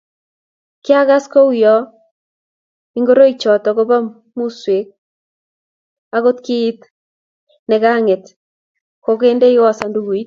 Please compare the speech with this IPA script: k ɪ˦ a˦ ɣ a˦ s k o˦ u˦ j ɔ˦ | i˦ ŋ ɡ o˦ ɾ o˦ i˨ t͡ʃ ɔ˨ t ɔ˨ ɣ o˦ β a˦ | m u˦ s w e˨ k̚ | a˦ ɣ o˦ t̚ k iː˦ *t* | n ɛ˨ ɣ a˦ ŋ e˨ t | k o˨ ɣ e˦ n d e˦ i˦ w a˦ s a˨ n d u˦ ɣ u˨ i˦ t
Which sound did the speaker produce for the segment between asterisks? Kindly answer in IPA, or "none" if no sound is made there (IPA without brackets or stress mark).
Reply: t